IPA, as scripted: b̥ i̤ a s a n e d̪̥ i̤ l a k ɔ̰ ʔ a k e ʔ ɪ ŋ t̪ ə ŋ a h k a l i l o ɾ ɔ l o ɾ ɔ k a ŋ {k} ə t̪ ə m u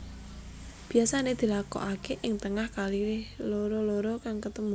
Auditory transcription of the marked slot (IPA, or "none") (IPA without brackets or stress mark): k